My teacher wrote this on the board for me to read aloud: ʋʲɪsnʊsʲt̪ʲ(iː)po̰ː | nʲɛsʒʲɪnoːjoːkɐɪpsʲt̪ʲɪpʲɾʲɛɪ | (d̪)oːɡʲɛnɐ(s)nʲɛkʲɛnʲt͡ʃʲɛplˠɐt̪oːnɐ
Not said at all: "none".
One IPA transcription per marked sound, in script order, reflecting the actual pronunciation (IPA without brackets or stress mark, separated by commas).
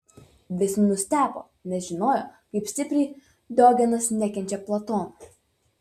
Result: æː, d̪, s